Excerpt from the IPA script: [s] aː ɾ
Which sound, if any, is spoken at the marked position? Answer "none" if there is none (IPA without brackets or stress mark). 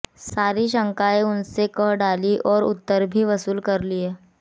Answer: s